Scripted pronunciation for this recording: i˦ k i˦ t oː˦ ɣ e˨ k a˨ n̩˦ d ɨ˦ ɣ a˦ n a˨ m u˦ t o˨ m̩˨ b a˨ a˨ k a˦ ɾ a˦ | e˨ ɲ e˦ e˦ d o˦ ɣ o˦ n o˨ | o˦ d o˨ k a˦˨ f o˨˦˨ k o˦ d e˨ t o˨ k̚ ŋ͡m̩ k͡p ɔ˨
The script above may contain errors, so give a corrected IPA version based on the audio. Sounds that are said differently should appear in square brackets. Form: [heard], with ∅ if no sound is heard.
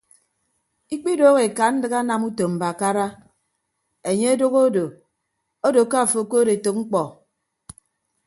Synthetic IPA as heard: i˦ [k͡p] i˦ [d] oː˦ ɣ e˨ k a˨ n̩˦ d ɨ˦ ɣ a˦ n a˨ m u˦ t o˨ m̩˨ b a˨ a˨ k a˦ ɾ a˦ | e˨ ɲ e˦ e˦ d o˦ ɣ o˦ [d] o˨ | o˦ d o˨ k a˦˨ f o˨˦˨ k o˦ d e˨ t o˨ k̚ ŋ͡m̩ k͡p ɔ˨

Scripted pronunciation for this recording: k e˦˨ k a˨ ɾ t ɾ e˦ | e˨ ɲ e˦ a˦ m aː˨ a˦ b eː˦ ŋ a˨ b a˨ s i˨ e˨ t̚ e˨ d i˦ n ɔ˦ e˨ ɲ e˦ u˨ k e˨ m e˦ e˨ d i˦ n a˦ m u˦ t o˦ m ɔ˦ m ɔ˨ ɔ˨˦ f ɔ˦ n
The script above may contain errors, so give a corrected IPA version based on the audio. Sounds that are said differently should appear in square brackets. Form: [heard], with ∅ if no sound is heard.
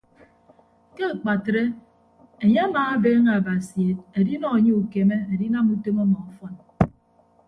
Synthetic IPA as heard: k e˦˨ [k͡p] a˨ [∅] t ɾ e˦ | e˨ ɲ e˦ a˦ m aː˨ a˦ b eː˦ ŋ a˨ b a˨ s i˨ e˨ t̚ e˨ d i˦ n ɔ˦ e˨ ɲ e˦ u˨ k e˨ m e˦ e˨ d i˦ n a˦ m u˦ t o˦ m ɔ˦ m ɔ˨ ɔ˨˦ f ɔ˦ n

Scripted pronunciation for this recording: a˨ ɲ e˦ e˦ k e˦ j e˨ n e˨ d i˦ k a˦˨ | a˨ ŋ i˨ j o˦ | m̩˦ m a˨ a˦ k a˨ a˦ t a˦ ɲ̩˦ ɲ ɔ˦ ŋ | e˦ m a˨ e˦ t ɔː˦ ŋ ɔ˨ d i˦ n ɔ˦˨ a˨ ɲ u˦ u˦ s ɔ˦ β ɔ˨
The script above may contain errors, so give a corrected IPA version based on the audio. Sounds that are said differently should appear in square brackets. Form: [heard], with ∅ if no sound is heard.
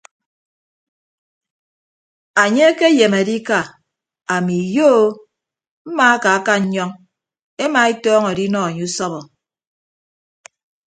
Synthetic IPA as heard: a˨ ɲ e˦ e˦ k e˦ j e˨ [m] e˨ d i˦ k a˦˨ | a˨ [m] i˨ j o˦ | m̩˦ m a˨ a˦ k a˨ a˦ [k] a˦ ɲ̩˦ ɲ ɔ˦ ŋ | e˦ m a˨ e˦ t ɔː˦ ŋ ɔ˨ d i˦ n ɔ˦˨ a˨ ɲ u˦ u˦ s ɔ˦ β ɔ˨

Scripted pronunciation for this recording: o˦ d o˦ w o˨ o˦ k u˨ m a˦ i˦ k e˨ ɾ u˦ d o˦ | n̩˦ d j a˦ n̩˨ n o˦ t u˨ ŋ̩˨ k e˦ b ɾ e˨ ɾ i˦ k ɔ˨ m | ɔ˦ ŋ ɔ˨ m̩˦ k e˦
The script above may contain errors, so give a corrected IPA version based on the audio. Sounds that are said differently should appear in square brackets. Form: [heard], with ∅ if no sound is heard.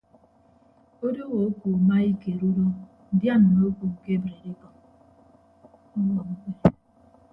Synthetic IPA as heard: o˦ d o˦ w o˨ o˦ k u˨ m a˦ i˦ k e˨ ɾ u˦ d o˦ | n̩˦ d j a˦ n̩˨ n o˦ [k] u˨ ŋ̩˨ k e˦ b ɾ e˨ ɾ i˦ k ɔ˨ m | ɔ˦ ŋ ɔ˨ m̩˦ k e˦

